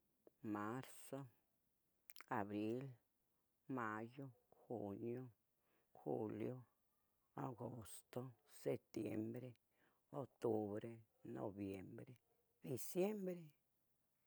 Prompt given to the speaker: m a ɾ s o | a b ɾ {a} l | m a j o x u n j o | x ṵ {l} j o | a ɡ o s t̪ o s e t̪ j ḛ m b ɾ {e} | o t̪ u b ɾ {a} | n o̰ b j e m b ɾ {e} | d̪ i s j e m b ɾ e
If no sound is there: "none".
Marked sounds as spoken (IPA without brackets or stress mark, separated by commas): i, l, e, e, e